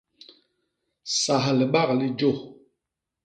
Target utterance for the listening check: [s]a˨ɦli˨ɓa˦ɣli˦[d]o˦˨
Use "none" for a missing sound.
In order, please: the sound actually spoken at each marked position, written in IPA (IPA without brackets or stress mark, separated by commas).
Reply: s, d͡ʒ